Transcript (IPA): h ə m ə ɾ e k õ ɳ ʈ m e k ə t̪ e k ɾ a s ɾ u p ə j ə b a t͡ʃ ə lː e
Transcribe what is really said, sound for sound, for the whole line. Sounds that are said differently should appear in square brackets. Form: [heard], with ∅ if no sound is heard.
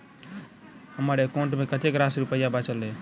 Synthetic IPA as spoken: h ə m ə ɾ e k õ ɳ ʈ m e k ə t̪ e k ɾ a s ɾ u p ə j [a] b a t͡ʃ ə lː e